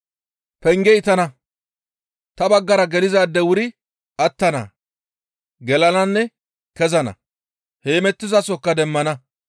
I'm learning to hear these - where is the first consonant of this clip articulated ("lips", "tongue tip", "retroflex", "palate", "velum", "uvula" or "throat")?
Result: lips